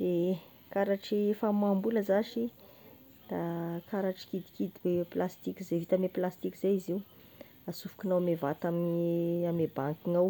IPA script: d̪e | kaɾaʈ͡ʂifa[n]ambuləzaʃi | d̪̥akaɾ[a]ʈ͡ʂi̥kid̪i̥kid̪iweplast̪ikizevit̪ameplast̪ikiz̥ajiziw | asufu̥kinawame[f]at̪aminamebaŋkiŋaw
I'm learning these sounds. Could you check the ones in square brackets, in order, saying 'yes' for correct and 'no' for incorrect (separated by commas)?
no, yes, no